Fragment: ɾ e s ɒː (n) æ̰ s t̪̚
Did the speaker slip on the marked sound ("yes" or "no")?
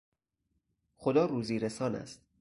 no